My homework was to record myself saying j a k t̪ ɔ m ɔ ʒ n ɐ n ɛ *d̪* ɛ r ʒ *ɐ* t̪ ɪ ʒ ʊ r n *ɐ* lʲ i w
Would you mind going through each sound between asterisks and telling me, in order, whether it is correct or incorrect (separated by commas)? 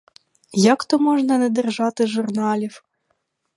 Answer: correct, incorrect, incorrect